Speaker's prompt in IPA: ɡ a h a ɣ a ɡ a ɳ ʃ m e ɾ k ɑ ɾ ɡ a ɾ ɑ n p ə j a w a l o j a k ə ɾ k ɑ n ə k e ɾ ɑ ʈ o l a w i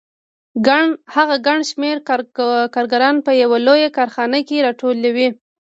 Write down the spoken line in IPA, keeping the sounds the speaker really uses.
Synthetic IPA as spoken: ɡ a h a ɣ a ɡ a ɳ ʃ m e ɾ k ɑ ɾ ɡ a ɾ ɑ n p ə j a w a l o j a k ɑ ɾ x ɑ n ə k e ɾ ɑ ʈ o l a w i